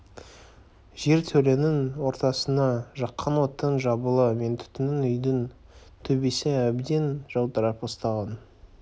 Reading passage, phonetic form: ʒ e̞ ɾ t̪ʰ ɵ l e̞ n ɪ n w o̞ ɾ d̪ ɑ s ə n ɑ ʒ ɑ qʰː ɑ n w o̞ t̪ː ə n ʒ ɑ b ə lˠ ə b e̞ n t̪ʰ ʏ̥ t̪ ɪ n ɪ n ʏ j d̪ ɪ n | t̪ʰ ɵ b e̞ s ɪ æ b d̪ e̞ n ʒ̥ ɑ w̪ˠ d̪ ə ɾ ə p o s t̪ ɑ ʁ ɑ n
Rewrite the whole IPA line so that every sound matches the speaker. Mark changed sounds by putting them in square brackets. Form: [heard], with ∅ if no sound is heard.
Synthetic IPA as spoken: ʒ e̞ ɾ t̪ʰ ɵ l e̞ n ɪ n w o̞ ɾ [t̪] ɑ s ə n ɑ ʒ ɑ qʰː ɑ n w o̞ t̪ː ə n ʒ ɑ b ə lˠ ə [m] e̞ n t̪ʰ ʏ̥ t̪ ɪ n ɪ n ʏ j d̪ ɪ n | t̪ʰ ɵ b e̞ s ɪ æ b d̪ e̞ n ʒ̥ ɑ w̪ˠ d̪ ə ɾ [ɑ] p o s t̪ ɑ ʁ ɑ n